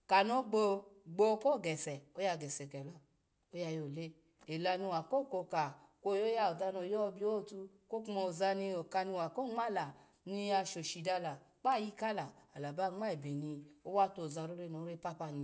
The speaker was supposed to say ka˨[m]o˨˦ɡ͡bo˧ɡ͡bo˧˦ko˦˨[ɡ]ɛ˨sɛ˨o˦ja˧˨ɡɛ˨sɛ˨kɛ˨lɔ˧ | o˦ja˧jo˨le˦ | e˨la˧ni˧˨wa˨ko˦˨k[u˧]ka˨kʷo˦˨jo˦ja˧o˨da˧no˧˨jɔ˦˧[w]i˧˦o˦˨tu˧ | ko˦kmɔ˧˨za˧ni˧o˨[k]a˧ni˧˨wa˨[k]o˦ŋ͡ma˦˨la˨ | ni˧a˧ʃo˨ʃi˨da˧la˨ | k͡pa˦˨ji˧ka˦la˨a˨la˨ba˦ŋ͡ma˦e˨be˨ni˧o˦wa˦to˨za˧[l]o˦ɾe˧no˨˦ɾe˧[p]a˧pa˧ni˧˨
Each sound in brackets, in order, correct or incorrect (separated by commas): incorrect, correct, incorrect, incorrect, correct, correct, incorrect, correct